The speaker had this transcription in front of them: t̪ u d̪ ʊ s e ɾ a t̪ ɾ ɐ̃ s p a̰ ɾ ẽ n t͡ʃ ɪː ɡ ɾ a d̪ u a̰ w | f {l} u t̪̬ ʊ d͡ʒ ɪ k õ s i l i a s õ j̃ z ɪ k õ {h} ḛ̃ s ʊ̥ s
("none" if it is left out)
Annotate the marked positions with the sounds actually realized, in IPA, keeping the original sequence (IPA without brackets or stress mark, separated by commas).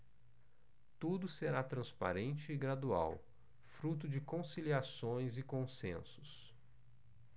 ɾ, s